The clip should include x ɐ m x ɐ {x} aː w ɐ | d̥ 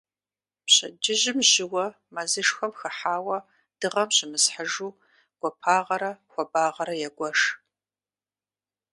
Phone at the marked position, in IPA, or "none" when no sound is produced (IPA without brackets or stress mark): ħ